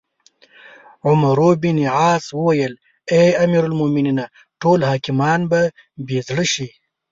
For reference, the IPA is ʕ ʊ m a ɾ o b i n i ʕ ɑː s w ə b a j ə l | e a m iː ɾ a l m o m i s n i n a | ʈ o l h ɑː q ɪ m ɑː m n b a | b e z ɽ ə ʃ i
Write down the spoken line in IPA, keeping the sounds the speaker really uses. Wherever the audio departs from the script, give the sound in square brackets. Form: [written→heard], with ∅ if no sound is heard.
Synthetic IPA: ʕ ʊ m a ɾ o b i n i ʕ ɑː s w ə [b→w] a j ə l | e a m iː ɾ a l m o m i [s→∅] n i n a | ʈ o l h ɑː [q→k] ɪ m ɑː [m→∅] n b a | b e z ɽ ə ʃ i